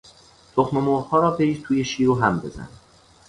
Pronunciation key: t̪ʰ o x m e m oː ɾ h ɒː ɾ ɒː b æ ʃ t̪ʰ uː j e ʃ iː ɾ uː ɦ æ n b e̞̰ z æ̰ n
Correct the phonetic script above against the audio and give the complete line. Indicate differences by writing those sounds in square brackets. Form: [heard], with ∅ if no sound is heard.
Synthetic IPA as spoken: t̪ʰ o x m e m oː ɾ h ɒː ɾ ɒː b [e] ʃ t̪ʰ uː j e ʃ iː ɾ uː ɦ æ [m] b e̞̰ z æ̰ n